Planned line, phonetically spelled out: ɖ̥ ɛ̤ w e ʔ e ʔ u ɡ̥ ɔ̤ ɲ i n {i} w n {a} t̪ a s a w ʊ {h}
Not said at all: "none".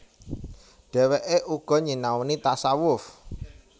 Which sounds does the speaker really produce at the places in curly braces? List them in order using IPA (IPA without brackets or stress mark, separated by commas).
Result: a, i, f